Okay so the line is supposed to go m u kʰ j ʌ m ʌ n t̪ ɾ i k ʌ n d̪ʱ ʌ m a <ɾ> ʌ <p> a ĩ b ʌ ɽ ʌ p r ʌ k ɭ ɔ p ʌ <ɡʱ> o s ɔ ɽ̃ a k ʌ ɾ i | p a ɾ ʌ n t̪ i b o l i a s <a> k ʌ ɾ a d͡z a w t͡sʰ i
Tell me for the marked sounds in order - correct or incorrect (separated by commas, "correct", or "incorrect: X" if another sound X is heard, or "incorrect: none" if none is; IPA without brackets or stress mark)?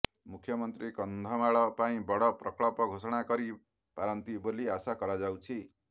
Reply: incorrect: ɭ, correct, correct, correct